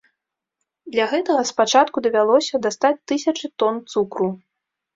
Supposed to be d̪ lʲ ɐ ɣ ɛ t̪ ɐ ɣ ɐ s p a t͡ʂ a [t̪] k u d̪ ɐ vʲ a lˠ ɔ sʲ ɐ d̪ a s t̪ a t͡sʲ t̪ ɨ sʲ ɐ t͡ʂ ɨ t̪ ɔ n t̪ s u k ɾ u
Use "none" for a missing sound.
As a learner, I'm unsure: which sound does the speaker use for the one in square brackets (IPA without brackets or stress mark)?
t̪